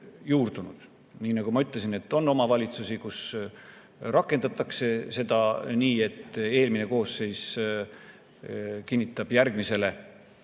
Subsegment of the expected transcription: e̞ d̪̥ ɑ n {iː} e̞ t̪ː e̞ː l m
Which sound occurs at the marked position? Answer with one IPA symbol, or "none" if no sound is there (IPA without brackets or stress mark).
iː